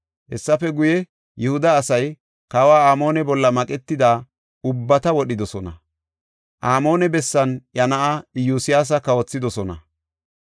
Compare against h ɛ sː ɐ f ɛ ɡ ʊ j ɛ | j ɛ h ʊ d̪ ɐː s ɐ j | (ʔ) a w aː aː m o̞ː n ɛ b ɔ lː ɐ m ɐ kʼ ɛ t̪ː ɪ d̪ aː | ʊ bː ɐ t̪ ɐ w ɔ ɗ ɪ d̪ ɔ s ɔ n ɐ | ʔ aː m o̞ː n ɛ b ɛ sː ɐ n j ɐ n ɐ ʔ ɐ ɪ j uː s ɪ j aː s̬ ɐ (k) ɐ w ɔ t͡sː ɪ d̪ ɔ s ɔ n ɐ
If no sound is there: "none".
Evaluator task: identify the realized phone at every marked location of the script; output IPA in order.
k, k

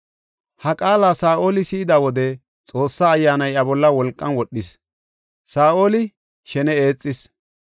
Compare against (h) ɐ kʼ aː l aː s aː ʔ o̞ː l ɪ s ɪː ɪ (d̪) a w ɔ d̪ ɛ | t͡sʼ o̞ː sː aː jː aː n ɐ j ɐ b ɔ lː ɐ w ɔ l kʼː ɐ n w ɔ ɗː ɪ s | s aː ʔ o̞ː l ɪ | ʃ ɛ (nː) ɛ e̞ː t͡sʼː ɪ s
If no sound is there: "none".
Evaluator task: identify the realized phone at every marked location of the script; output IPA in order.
h, d̪, n

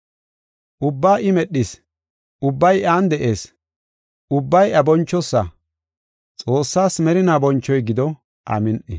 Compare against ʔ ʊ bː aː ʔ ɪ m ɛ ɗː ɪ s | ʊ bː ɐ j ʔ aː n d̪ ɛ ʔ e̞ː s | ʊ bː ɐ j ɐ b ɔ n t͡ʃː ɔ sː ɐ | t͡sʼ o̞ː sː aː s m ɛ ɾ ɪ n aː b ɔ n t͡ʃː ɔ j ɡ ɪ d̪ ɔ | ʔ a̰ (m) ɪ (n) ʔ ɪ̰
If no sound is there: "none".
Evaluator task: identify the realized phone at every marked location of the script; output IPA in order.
m, n

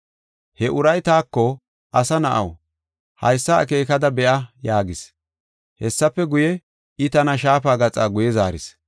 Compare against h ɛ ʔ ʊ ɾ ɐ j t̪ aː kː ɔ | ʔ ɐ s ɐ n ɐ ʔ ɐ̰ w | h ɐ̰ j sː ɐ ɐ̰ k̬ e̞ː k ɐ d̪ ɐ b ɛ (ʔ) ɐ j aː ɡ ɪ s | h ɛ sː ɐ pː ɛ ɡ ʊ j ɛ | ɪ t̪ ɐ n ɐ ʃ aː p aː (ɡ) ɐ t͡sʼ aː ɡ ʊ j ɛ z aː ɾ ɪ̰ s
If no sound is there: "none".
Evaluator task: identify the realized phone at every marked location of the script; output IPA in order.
ʔ, ɡ

